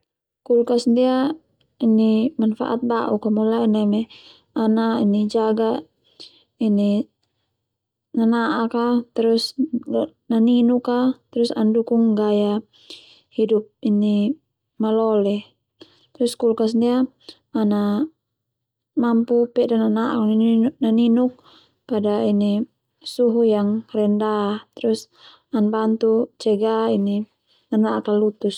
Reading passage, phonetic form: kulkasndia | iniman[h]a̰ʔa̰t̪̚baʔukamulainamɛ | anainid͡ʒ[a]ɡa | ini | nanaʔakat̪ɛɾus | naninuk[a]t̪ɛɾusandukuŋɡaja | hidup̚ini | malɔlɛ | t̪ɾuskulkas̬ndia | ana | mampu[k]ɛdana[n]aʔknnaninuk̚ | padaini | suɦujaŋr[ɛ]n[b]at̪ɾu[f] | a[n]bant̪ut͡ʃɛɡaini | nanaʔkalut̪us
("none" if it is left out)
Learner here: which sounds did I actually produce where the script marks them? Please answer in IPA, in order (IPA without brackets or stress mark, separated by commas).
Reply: f, a, a, p, n, ɛ, d, s, n